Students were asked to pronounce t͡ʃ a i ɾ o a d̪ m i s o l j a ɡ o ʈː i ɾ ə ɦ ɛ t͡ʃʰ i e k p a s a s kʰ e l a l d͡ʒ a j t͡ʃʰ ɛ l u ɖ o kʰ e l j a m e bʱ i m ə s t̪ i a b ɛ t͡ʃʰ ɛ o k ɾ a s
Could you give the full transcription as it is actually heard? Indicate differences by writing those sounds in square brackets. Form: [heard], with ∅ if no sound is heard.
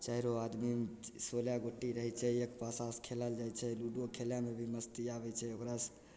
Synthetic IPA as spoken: t͡ʃ a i ɾ o a d̪ m i s o l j a ɡ o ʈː i ɾ ə ɦ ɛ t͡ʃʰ [ɛ] e k p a s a s kʰ e l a l d͡ʒ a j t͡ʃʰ ɛ l u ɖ o kʰ e l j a m e bʱ i m ə s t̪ i a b ɛ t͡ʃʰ ɛ o k ɾ a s